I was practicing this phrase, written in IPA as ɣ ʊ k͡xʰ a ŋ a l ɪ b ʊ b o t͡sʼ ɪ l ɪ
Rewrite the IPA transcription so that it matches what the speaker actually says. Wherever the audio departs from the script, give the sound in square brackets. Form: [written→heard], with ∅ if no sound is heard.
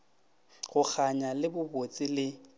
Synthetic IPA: ɣ ʊ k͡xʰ a [ŋ→ɲ] a l ɪ b ʊ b o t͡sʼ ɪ l ɪ